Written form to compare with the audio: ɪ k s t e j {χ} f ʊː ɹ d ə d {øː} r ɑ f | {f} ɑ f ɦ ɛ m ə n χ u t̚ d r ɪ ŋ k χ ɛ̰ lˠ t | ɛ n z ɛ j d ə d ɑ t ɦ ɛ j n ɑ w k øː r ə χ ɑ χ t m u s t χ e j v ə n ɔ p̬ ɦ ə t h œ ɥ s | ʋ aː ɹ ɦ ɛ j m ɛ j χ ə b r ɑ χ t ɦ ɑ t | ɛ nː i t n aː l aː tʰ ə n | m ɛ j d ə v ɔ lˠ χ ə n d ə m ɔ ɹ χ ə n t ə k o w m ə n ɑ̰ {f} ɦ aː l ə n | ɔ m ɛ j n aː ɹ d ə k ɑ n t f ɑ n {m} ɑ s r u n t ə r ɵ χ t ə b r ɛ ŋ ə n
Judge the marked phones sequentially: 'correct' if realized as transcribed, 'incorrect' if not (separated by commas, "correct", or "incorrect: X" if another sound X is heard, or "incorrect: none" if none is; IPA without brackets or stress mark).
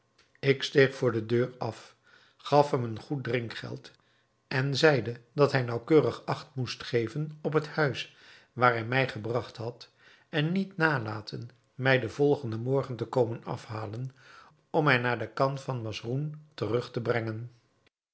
correct, correct, incorrect: χ, correct, correct